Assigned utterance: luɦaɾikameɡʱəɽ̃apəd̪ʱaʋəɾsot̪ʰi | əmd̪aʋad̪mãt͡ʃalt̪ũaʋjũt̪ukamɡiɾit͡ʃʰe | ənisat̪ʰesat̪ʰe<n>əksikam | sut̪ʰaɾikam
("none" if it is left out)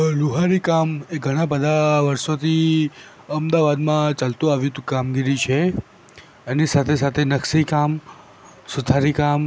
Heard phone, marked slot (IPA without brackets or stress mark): n